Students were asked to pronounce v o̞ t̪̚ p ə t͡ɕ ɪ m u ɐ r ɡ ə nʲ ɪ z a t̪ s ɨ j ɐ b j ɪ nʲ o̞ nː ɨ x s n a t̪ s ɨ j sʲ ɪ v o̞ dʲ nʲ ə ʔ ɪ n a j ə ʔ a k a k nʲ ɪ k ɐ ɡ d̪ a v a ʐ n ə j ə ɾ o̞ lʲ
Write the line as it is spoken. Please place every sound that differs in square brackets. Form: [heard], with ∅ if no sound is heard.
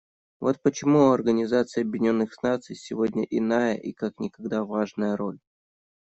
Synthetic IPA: v o̞ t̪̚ p ə t͡ɕ ɪ m u ɐ r ɡ ə nʲ ɪ z a t̪ s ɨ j ɐ b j ɪ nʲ o̞ nː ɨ x s n a t̪ s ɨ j sʲ ɪ v o̞ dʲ nʲ ə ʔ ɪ n a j ə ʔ [i] k a k nʲ ɪ k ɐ ɡ d̪ a v a ʐ n ə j ə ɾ o̞ lʲ